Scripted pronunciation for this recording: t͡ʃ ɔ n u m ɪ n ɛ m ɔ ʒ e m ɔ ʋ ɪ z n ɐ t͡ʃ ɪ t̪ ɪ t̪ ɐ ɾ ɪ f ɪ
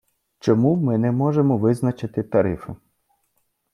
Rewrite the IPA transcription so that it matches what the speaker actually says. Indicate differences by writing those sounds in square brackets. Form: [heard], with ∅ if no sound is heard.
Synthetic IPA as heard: t͡ʃ ɔ [m] u m ɪ n ɛ m ɔ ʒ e m ɔ ʋ ɪ z n ɐ t͡ʃ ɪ t̪ ɪ t̪ ɐ ɾ ɪ f ɪ